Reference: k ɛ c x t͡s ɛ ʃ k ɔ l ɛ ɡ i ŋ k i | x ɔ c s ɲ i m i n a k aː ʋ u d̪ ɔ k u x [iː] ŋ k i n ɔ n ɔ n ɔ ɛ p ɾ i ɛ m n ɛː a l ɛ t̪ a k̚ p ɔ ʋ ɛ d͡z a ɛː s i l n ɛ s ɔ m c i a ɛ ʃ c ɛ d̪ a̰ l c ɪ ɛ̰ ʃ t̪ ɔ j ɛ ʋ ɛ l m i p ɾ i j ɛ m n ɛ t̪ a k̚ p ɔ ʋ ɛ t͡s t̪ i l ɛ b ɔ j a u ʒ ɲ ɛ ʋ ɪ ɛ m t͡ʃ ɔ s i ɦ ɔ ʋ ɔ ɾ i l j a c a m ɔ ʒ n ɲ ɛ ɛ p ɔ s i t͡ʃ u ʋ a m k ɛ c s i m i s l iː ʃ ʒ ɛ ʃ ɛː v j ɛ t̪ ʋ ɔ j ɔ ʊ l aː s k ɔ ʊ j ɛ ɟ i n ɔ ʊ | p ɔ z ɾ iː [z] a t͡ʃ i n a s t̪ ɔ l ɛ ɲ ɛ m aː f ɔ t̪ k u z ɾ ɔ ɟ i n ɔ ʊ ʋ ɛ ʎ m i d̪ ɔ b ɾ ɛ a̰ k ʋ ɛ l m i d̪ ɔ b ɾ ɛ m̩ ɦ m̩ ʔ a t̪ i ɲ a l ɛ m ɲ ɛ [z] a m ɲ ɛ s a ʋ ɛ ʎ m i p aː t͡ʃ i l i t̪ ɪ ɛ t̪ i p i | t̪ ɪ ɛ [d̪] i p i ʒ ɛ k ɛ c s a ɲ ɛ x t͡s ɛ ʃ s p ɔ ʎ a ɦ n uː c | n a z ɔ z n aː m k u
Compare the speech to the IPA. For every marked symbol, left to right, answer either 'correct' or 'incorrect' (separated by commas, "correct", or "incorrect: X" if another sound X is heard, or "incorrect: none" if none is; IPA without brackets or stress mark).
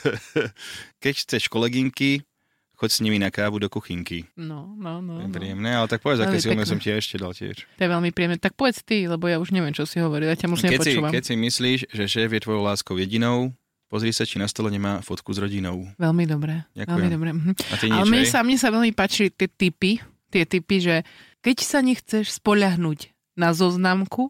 incorrect: i, incorrect: s, incorrect: s, incorrect: t̪